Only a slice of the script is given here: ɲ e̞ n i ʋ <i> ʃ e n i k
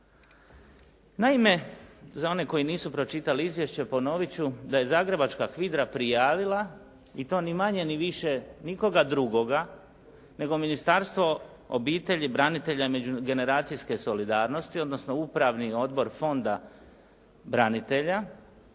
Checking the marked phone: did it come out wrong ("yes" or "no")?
no